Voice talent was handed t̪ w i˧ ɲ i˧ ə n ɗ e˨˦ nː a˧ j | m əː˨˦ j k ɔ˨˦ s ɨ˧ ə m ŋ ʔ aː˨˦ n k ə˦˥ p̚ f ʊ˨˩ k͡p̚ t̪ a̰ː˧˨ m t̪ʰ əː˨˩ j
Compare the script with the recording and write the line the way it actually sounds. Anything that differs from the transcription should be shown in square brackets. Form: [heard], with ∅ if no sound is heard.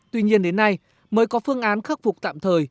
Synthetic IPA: t̪ w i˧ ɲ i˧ ə n ɗ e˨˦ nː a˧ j | m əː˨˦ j k ɔ˨˦ [f] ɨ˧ ə [∅] ŋ ʔ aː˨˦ n [x] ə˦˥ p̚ f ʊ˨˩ k͡p̚ t̪ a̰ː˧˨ m t̪ʰ əː˨˩ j